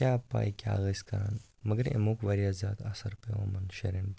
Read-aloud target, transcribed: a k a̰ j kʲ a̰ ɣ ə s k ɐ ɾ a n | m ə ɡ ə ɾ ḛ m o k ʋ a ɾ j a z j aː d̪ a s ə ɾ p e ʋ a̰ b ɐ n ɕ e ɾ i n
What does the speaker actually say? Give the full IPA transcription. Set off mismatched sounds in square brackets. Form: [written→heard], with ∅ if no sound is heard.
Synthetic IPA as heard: a [k→p] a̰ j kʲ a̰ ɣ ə s k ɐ ɾ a n | m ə ɡ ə ɾ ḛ m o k ʋ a ɾ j a z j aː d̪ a s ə ɾ p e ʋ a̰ [b→m] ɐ n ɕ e ɾ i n